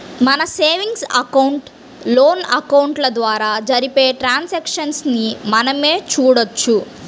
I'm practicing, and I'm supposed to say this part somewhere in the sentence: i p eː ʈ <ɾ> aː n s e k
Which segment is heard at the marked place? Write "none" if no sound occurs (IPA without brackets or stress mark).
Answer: ɾ